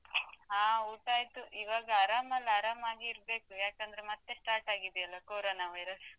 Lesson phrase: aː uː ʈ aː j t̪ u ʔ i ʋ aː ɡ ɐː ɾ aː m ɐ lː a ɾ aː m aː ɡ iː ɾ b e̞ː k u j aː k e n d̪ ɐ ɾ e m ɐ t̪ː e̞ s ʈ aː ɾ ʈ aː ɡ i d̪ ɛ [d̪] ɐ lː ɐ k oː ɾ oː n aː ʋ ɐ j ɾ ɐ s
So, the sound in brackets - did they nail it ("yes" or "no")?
no